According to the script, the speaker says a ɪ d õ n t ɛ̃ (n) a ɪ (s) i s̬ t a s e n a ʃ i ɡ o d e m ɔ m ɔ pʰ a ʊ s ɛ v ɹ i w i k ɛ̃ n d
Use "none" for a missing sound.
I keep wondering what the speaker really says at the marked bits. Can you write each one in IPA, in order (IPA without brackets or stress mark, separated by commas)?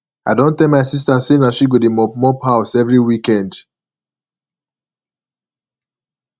m, s